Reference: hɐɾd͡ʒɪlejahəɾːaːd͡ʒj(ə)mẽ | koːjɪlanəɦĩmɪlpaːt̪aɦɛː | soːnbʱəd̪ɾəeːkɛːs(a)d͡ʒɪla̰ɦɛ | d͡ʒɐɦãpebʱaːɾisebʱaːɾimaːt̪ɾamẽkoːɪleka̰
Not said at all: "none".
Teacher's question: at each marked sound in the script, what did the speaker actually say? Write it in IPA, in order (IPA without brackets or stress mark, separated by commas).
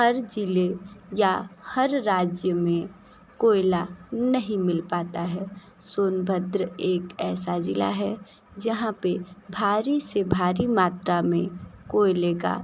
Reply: ə, a